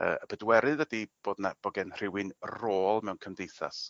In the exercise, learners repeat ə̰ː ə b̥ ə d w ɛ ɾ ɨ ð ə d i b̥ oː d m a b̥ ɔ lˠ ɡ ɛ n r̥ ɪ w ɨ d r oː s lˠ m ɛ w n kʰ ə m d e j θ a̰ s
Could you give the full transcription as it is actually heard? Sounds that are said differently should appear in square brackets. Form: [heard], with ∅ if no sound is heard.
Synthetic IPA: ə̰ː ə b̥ ə d w ɛ ɾ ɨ ð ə d i b̥ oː d [n] a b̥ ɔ [∅] ɡ ɛ n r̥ ɪ w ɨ [n] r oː [∅] lˠ m ɛ w n kʰ ə m d e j θ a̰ s